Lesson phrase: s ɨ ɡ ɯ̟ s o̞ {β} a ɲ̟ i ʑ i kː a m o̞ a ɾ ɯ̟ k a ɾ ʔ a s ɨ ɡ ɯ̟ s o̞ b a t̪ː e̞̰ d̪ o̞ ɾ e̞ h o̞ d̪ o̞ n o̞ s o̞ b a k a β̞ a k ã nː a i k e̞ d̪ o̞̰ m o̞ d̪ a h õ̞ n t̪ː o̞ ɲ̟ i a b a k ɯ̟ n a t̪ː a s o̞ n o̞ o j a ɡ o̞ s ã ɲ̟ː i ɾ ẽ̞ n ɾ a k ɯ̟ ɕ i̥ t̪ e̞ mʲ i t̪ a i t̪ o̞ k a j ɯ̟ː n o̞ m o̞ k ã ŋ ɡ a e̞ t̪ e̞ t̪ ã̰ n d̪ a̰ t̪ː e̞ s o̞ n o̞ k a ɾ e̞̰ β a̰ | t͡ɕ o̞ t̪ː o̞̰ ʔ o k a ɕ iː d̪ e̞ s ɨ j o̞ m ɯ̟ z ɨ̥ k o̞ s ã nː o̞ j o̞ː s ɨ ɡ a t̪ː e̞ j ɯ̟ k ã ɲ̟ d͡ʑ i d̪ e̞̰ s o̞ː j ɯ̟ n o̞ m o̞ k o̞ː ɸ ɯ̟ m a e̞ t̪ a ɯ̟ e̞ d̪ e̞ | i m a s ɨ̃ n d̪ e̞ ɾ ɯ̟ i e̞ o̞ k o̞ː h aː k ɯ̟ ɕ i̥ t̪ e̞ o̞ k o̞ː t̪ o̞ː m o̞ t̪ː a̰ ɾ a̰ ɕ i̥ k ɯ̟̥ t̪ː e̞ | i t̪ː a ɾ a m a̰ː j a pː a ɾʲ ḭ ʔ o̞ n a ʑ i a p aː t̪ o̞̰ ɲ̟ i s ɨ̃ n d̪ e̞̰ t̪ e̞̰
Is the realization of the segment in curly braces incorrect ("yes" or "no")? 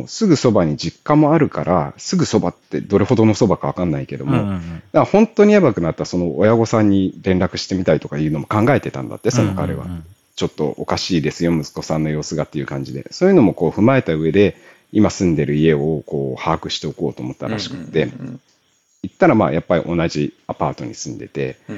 yes